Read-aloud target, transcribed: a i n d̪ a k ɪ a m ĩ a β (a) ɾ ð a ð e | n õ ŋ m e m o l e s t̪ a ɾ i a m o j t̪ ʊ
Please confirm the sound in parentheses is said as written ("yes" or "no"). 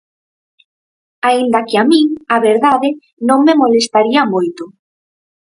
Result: no